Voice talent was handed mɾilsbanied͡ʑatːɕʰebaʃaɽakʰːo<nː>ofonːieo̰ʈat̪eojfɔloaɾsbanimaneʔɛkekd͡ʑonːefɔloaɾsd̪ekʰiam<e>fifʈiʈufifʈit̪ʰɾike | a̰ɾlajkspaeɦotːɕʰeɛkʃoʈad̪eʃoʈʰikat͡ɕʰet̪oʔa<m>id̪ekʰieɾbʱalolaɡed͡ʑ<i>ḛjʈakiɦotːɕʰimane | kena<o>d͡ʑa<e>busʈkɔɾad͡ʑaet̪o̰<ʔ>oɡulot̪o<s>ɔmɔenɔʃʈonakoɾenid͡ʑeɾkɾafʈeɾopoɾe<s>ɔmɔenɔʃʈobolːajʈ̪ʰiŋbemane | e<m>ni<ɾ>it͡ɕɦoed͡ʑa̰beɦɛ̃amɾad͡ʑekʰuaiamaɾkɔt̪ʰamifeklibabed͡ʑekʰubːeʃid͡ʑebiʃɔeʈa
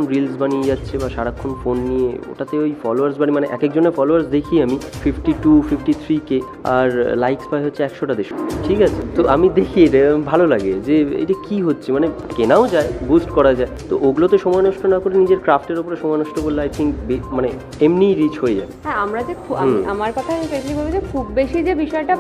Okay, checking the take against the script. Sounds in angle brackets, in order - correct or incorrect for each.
incorrect, incorrect, correct, incorrect, correct, correct, correct, incorrect, incorrect, correct, correct

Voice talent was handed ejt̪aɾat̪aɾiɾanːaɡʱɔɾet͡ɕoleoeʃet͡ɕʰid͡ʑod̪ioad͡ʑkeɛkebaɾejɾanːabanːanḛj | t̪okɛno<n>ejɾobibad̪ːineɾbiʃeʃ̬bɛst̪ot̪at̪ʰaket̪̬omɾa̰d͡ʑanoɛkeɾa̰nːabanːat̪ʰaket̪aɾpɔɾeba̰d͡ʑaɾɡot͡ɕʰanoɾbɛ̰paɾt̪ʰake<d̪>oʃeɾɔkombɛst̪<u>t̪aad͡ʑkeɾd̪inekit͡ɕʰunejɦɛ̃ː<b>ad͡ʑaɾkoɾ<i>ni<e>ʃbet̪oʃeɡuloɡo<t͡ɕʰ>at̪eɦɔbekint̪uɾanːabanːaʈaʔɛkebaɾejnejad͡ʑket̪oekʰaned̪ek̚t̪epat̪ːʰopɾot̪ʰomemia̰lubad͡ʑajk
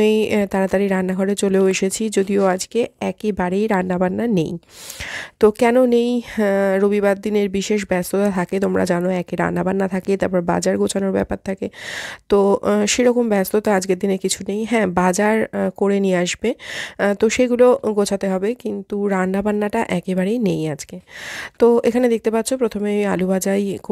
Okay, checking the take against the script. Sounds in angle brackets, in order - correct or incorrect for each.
correct, incorrect, incorrect, correct, incorrect, incorrect, correct

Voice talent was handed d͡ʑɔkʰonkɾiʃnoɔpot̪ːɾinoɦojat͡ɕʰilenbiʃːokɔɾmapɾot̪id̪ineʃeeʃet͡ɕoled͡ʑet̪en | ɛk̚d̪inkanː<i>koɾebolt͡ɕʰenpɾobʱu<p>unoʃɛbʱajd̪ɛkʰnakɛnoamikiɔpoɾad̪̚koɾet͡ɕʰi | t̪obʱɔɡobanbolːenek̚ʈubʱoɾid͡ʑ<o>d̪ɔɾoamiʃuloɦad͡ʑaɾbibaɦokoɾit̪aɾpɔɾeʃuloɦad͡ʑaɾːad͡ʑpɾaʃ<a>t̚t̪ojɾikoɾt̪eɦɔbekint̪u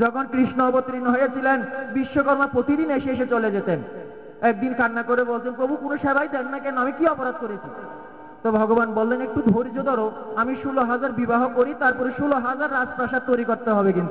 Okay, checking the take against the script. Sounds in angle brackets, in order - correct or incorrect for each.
incorrect, incorrect, correct, correct

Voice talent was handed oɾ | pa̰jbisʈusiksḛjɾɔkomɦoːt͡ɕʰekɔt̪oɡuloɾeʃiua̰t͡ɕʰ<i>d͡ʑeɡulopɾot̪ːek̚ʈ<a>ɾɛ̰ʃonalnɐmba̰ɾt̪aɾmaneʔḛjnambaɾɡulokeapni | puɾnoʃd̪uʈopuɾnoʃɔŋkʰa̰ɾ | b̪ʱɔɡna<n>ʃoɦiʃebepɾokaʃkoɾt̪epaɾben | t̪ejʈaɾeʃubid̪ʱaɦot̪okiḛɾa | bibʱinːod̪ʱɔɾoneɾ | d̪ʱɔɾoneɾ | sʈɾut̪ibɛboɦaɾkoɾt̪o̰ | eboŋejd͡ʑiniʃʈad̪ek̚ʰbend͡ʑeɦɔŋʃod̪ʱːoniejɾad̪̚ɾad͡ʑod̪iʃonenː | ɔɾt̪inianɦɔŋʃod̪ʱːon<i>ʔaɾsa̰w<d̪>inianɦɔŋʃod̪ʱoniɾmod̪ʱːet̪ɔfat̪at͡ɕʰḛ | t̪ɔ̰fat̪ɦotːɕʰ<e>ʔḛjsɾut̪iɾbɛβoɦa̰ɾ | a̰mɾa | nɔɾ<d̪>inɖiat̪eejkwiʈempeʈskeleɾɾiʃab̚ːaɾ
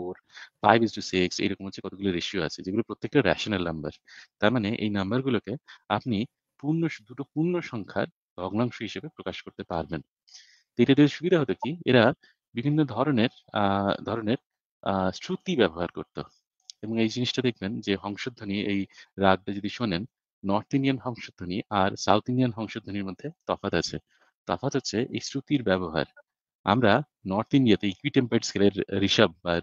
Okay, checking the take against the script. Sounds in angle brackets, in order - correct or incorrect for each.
incorrect, correct, incorrect, correct, incorrect, correct, incorrect

